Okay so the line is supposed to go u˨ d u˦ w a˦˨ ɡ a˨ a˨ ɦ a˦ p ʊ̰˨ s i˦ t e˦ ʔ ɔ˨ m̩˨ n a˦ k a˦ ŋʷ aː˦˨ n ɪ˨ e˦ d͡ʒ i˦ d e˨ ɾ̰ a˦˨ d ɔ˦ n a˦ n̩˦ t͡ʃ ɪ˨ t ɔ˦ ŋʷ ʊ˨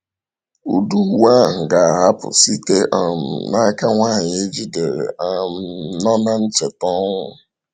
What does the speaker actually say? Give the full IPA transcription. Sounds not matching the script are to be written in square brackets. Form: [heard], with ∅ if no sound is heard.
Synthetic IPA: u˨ d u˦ w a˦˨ ɡ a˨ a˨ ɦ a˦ p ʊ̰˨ s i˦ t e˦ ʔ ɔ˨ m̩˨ n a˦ k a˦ ŋʷ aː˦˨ [ɲ] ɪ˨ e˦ d͡ʒ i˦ d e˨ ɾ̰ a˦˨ [n] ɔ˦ n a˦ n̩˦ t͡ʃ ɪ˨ t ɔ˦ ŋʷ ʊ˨

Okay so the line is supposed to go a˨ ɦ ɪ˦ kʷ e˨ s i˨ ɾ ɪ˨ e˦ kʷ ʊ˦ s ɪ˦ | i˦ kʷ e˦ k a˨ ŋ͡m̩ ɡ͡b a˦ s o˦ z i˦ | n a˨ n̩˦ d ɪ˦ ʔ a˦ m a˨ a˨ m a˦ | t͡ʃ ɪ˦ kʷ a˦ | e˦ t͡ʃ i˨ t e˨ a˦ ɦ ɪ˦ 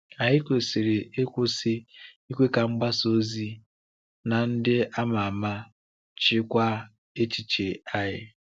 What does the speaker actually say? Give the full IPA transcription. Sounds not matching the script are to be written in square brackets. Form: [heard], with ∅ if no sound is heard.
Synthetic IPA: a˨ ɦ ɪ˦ kʷ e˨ s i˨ ɾ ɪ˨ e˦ kʷ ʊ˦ s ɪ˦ | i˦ kʷ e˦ k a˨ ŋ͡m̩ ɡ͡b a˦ s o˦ z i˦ | n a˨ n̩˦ d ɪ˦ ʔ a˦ m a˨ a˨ m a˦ | t͡ʃ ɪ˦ kʷ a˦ | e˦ t͡ʃ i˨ [t͡ʃ] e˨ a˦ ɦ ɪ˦

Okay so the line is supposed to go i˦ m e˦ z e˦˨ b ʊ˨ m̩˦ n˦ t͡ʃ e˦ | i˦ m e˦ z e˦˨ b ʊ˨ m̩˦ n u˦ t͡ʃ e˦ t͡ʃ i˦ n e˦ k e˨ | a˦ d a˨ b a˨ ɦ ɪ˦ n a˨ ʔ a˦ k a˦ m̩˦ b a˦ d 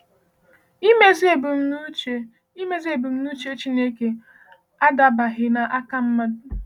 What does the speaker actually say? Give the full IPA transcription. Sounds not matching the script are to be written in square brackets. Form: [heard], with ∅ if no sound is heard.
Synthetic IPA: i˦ m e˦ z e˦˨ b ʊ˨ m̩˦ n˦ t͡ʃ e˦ | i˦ m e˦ z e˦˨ b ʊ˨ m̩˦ n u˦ t͡ʃ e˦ t͡ʃ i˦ n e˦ k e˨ | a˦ d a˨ b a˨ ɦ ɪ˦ n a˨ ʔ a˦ k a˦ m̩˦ [m] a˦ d

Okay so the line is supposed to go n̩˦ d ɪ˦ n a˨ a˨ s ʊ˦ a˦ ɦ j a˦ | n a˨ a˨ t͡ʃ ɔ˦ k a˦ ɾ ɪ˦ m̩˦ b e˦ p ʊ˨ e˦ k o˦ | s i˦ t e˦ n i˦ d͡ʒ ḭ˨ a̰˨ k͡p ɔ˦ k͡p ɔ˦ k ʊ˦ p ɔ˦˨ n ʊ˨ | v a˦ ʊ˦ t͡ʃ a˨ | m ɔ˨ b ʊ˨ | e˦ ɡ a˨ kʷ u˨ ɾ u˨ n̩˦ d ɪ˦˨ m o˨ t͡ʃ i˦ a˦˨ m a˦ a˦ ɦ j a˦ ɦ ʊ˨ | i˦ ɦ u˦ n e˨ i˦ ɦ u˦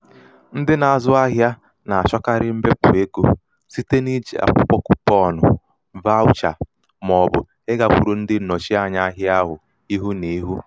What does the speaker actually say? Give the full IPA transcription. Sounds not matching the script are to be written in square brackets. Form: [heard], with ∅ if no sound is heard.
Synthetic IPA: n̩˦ d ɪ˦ n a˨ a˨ [z] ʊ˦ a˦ ɦ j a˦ | n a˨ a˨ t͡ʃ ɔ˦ k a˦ ɾ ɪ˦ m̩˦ b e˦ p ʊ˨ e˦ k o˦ | s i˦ t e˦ n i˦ d͡ʒ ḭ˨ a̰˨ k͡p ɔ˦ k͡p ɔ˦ k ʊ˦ p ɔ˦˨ n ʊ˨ | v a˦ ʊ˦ t͡ʃ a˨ | m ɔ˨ b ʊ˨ | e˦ ɡ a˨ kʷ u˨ ɾ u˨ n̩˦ d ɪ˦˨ [n] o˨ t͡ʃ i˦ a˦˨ [ɲ] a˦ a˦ ɦ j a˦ ɦ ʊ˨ | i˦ ɦ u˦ n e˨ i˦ ɦ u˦

